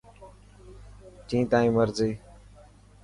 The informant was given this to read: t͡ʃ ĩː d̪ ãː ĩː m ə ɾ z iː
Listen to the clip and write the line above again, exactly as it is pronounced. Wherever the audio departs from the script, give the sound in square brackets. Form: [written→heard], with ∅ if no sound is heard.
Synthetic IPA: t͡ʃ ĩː [d̪→t̪] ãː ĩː m ə ɾ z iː